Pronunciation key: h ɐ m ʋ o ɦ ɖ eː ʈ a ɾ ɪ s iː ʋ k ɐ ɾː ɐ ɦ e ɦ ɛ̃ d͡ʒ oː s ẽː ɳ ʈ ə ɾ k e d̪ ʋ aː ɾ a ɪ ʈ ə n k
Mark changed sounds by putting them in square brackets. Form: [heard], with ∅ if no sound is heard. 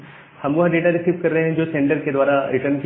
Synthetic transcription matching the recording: h ɐ m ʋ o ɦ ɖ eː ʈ a ɾ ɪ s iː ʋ k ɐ ɾː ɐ ɦ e ɦ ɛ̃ d͡ʒ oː s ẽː ɳ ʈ ə ɾ k e d̪ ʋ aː ɾ a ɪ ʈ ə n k